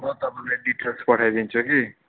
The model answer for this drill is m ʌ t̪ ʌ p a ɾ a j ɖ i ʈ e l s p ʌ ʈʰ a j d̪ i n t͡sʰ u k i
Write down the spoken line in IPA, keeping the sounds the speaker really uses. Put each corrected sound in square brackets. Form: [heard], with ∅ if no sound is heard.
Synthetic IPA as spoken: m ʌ t̪ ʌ p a [l] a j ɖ i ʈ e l s p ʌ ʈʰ a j d̪ i n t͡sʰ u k i

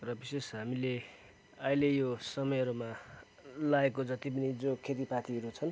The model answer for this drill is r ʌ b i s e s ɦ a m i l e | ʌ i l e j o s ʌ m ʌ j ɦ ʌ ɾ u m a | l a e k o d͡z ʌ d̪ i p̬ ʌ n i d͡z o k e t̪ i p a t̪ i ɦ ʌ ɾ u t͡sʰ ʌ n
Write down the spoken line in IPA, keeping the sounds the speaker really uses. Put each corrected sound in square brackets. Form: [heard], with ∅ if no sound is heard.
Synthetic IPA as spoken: r ʌ b i s e s ɦ a m i l e | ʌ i l e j o s ʌ m ʌ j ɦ ʌ ɾ u m a | l a e k o d͡z ʌ [t̪] i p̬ ʌ n i d͡z o [kʰ] e t̪ i p a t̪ i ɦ ʌ ɾ u t͡sʰ ʌ n

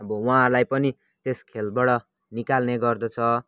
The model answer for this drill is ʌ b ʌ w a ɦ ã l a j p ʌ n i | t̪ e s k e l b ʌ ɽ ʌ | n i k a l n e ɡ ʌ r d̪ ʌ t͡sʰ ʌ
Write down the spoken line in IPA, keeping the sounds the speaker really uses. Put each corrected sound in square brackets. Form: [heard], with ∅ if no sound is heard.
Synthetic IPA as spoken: ʌ b ʌ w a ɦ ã l a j p ʌ n i | t̪ e s [kʰ] e l b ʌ ɽ ʌ | n i k a l n e ɡ ʌ r d̪ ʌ t͡sʰ ʌ

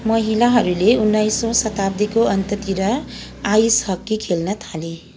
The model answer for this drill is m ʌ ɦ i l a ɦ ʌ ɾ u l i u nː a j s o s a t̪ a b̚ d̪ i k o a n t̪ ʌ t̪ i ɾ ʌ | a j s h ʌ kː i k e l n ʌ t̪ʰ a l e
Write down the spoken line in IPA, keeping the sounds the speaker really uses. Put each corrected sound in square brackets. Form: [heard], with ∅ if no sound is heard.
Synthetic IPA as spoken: m ʌ ɦ i l a ɦ ʌ ɾ u l [e] u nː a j s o s [ʌ] t̪ a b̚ d̪ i k o [ʌ] n t̪ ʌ t̪ i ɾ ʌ | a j s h ʌ kː i [kʰ] e l n ʌ t̪ʰ a l e

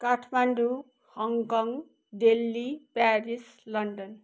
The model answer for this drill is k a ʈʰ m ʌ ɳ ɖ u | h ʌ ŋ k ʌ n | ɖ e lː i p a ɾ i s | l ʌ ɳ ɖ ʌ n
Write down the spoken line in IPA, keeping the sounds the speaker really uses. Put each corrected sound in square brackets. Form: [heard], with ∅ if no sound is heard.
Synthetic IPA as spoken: k a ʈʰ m [a] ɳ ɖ u | h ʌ ŋ k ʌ [ŋ] | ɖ e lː i p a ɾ i s | l ʌ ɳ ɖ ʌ n

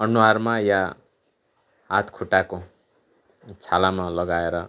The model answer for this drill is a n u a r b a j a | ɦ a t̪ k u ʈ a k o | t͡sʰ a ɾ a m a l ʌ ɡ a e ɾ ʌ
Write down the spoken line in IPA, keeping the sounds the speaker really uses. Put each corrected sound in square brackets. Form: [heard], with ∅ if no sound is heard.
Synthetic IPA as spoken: [ʌ] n u a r [m] a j a | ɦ a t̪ [kʰ] u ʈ a k o | t͡sʰ a [l] a m a l ʌ ɡ a e ɾ ʌ

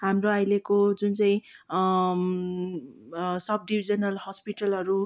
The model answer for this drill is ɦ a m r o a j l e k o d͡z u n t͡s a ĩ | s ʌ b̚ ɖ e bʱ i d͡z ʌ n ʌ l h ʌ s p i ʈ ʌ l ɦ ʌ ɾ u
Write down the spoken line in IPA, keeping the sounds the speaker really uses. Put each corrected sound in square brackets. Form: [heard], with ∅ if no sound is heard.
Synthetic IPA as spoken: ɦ a m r o a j l e k o d͡z u n t͡s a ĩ | s ʌ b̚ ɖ [i] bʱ i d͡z ʌ n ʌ l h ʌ s p i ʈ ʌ l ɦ ʌ ɾ u

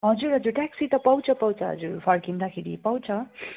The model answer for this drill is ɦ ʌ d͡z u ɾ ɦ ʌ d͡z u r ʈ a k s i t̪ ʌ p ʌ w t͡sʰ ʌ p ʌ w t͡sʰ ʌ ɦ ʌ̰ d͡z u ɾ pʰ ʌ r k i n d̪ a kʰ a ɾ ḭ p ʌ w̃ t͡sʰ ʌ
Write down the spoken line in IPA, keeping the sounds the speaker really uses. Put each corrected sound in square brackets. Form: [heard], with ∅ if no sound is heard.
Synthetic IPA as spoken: ɦ ʌ d͡z u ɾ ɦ ʌ d͡z u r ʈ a k s i t̪ ʌ p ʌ w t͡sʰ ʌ p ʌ w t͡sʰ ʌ ɦ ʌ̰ d͡z u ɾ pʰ ʌ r k i n d̪ a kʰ [e] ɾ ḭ p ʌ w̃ t͡sʰ ʌ

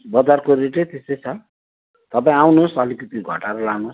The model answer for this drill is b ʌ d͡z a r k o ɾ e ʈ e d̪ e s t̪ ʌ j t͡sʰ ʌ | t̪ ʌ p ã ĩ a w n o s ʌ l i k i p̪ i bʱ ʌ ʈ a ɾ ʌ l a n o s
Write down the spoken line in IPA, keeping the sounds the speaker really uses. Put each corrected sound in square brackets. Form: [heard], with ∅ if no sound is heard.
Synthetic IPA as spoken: b ʌ d͡z a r k o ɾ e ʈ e [t̪] e s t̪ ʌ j t͡sʰ ʌ | t̪ ʌ p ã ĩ a w n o s ʌ l i k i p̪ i [ɡʱ] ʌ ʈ a ɾ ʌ l a n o s

